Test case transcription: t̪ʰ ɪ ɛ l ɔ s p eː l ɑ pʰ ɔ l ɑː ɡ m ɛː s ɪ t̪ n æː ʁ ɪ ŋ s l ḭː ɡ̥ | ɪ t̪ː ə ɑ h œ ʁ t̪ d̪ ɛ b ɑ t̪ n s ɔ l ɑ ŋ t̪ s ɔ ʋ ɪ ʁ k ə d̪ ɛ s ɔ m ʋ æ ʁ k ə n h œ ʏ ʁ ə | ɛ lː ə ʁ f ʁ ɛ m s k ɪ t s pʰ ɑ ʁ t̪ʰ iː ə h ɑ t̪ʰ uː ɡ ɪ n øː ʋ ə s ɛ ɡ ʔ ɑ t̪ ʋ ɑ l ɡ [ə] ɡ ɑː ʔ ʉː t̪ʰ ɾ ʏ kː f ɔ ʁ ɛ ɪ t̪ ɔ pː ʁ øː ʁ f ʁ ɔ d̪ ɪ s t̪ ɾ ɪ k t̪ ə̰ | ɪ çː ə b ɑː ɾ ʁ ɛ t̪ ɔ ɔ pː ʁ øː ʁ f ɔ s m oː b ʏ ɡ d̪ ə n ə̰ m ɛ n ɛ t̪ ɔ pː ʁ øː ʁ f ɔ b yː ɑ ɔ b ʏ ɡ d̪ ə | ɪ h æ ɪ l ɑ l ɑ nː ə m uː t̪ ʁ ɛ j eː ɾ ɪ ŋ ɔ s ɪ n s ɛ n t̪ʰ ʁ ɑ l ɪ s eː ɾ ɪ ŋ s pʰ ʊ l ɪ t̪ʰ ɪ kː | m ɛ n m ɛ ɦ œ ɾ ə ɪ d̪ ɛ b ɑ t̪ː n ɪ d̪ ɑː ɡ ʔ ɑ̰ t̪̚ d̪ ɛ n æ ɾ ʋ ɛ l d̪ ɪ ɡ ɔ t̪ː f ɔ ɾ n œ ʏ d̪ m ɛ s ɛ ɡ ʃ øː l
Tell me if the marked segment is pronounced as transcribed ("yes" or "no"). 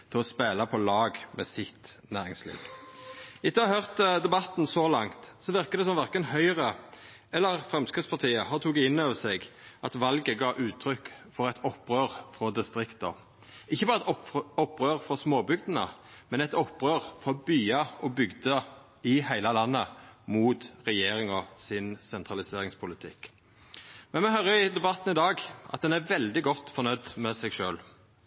yes